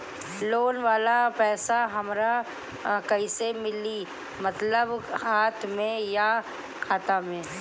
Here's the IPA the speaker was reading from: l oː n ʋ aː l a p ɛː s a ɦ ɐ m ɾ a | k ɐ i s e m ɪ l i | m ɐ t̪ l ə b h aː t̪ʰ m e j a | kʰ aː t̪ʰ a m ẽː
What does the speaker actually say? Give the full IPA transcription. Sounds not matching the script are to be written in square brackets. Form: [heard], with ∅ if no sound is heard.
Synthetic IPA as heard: l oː n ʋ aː l a p ɛː s a ɦ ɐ m ɾ a | k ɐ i s e m ɪ l i | m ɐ t̪ l ə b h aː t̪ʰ m [ẽ] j a | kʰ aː [t̪] a m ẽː